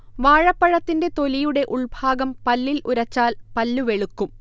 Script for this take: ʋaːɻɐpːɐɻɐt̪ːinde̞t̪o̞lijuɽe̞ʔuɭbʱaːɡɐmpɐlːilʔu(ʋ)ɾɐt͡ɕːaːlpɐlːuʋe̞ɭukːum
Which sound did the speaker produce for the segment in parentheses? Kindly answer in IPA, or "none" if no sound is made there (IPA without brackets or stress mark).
none